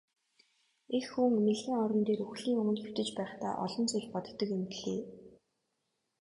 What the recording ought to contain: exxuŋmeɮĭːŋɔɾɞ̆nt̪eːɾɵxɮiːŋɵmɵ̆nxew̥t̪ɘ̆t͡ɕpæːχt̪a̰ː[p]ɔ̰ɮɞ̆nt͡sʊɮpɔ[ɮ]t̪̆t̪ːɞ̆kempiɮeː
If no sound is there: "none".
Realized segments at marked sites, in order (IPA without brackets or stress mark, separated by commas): ʔ, none